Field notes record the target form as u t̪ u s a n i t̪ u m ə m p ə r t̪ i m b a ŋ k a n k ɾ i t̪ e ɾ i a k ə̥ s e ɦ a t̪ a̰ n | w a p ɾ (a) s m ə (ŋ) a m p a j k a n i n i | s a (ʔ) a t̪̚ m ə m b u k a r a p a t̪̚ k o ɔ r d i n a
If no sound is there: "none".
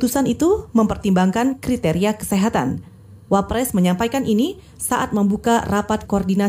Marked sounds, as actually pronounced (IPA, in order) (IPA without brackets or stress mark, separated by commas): ɛ, ɲ, ʔ